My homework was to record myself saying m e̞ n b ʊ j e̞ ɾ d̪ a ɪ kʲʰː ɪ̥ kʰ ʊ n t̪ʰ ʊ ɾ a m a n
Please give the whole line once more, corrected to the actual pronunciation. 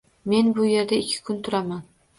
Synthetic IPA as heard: m e̞ n b ʊ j e̞ ɾ d̪ a ɪ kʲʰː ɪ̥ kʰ ʊ n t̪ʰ ʊ ɾ a m a n